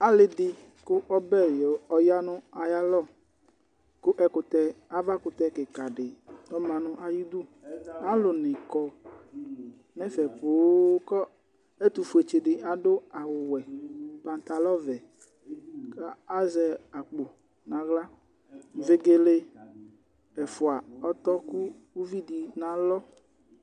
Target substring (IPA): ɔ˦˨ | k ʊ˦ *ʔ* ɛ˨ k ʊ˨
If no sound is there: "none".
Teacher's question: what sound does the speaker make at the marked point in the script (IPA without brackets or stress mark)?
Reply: ʔ